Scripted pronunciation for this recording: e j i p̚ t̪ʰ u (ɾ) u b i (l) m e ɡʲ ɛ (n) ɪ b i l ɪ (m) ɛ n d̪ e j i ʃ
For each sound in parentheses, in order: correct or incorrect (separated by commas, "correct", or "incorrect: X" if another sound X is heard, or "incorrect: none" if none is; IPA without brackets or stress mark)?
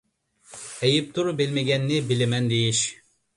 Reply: correct, correct, incorrect: nː, correct